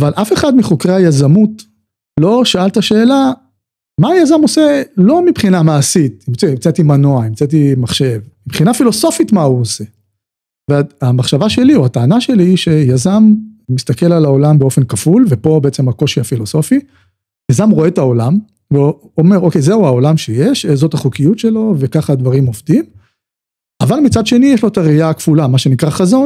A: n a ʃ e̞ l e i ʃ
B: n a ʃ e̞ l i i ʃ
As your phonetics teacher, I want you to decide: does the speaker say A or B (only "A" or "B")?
B